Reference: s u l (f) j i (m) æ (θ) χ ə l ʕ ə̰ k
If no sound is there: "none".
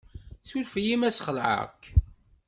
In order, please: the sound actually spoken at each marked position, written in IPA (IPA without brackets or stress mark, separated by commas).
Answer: f, m, s